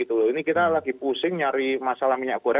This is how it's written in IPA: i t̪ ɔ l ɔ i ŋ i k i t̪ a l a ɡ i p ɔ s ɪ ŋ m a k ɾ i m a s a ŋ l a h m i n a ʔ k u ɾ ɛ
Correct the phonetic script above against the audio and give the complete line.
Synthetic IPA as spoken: i t̪ u l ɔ i n i k i t̪ a l a ɡ i p u s ɪ ŋ ɲ a ɾ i m a s a l a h m i ɲ a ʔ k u ɾ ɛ